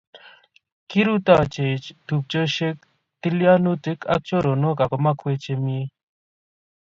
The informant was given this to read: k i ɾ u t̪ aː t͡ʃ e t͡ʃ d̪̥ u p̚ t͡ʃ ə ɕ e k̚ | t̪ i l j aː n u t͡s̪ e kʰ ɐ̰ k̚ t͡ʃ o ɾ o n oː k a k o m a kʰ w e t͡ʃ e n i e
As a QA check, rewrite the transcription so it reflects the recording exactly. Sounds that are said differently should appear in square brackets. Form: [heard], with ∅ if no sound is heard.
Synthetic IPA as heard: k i ɾ u t̪ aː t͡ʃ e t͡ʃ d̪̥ u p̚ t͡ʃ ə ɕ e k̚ | t̪ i l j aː n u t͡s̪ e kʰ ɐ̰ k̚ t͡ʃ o ɾ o n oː k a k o m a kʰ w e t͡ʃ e [m] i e